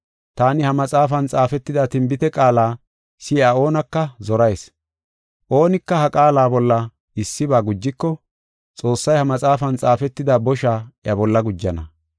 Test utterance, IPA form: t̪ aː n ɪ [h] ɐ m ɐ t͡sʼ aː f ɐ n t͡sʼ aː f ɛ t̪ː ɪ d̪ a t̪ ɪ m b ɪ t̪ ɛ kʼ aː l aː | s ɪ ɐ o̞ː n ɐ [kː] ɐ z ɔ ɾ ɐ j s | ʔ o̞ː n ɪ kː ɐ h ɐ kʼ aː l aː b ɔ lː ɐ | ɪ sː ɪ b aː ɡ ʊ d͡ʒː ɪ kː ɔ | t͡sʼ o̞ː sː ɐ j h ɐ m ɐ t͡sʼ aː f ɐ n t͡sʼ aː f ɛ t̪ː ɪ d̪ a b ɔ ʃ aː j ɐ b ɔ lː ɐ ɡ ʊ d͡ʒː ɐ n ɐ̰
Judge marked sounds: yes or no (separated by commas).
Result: yes, yes